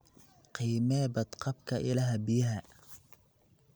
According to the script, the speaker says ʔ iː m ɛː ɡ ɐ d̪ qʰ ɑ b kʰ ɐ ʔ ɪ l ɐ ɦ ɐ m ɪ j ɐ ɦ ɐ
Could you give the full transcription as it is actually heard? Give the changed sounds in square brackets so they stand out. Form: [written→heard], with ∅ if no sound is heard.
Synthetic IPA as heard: [ʔ→q] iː m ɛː [ɡ→b] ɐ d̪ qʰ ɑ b kʰ ɐ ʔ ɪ l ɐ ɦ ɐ [m→b] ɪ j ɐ ɦ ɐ